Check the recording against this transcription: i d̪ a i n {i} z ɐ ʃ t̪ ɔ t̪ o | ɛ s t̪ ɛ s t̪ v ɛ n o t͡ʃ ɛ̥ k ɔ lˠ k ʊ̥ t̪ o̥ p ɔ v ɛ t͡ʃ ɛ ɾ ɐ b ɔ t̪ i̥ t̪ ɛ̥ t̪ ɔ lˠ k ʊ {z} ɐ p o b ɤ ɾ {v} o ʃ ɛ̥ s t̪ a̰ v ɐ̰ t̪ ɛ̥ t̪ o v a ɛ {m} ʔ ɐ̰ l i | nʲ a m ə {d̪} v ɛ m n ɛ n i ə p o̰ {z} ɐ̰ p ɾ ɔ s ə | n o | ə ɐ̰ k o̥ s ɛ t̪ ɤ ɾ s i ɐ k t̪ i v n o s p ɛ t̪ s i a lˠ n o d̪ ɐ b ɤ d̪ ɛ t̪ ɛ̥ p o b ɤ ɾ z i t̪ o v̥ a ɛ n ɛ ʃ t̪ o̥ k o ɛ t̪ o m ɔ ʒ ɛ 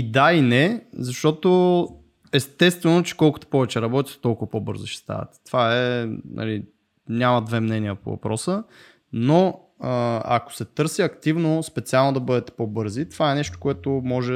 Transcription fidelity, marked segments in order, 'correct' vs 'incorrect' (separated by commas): incorrect, incorrect, incorrect, incorrect, correct, incorrect